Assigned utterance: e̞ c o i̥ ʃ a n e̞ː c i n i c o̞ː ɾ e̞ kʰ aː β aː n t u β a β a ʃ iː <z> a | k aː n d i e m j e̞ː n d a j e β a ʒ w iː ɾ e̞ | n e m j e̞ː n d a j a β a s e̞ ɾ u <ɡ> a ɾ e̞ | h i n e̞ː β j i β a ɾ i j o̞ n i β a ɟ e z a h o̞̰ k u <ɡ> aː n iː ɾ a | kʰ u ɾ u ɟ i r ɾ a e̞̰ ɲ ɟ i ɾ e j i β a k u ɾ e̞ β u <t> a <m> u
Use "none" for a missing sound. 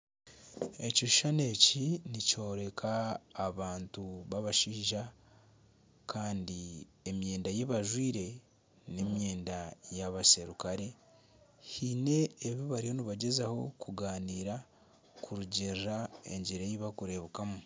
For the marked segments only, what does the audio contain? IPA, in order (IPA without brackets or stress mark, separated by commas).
ʒ, k, ɡ, k, m